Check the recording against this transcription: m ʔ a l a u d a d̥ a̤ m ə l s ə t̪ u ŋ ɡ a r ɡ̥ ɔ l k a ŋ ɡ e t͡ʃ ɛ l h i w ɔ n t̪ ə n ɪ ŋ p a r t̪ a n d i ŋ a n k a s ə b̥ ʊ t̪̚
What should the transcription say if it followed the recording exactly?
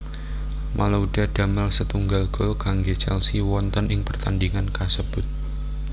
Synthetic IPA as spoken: m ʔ a l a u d a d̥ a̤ m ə l s ə t̪ u ŋ ɡ a l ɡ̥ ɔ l k a ŋ ɡ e t͡ʃ ɛ l s i w ɔ n t̪ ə n ɪ ŋ p ə r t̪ a n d i ŋ a n k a s ə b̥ ʊ t̪̚